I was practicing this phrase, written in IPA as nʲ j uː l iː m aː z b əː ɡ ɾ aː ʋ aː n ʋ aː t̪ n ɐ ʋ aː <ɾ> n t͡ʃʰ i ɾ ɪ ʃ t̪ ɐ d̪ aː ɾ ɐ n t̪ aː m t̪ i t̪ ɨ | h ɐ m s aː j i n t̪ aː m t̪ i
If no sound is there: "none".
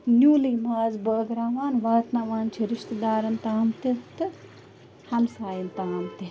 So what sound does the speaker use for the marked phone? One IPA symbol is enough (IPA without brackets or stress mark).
none